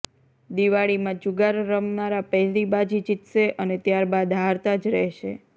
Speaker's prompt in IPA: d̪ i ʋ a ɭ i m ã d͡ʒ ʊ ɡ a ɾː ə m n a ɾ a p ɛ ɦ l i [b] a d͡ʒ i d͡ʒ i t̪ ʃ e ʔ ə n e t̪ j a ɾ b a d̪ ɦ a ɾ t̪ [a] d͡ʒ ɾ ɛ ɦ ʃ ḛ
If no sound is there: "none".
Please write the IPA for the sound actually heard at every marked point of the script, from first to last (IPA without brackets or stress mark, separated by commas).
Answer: b, a